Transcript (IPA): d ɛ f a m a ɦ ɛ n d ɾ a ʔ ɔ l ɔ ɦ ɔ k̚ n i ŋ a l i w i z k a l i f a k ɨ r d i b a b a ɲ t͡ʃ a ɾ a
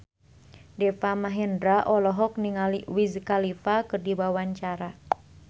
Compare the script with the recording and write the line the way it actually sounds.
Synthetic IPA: d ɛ f a m a ɦ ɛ n d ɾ a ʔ ɔ l ɔ ɦ ɔ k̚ n i ŋ a l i w i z k a l i f a k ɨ r d i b a w a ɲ t͡ʃ a ɾ a